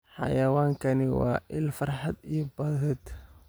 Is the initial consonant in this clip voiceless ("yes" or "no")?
yes